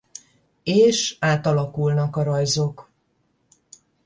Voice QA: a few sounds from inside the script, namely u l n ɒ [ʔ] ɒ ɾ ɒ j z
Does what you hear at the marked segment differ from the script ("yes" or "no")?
yes